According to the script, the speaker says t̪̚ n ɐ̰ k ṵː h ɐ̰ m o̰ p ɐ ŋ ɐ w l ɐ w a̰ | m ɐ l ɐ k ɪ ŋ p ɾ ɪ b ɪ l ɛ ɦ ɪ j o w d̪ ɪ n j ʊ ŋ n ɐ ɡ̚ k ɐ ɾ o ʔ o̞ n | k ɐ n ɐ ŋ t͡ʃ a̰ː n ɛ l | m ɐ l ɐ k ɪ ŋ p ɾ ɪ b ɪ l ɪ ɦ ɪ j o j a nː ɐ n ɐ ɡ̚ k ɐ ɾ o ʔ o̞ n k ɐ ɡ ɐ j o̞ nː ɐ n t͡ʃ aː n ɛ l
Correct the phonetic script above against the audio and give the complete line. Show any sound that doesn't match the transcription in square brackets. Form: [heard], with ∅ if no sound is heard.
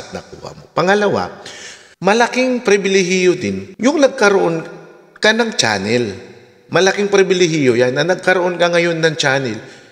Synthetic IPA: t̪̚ n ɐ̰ k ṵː h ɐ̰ m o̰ p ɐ ŋ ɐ [∅] l ɐ w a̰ | m ɐ l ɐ k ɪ ŋ p ɾ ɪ b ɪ l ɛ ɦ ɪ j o [∅] d̪ ɪ n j ʊ ŋ n ɐ ɡ̚ k ɐ ɾ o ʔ o̞ n | k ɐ n ɐ ŋ t͡ʃ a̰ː n ɛ l | m ɐ l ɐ k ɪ ŋ p ɾ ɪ b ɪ l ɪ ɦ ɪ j o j a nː ɐ n ɐ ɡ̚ k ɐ ɾ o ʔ o̞ n k ɐ [ŋ] ɐ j o̞ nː ɐ [ŋ] t͡ʃ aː n ɛ l